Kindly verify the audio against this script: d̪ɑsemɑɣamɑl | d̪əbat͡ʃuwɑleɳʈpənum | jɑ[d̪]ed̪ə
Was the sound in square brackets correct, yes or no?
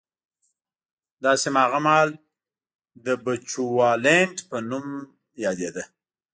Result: yes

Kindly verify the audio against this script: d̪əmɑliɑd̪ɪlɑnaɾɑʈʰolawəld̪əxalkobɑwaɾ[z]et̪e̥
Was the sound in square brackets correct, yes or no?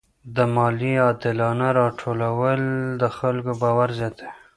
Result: yes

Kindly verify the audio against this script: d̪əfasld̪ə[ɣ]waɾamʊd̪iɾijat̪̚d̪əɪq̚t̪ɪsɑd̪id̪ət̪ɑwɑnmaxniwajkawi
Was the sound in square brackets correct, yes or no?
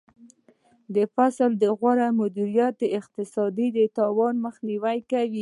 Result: yes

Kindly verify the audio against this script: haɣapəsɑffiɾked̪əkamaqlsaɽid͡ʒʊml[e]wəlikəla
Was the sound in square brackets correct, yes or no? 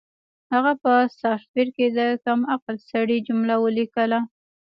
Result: no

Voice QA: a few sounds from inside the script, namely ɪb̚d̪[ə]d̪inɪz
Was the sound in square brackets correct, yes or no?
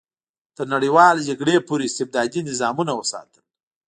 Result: no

